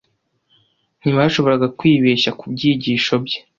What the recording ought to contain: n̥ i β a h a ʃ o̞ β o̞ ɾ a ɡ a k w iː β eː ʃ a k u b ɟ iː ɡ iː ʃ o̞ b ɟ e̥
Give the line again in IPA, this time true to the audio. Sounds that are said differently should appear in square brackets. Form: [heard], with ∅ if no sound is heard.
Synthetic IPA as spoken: n̥ i β a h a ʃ o̞ β o̞ ɾ a ɡ a k w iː β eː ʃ a k u b ɟ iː [ɟ] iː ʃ o̞ b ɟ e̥